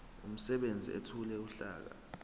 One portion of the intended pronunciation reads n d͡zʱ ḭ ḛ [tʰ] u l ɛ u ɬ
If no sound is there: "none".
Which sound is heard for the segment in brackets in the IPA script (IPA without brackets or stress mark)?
tʰ